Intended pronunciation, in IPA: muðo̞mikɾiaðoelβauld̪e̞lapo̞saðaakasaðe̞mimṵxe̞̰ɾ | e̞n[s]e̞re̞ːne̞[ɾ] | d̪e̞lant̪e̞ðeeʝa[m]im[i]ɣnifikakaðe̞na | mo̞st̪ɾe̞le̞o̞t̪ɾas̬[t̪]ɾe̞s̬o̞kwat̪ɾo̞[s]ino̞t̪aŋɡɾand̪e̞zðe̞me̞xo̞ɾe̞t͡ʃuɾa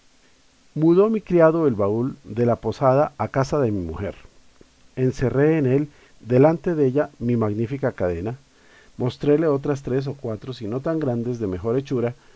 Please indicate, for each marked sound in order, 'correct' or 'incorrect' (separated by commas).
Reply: correct, incorrect, correct, incorrect, correct, correct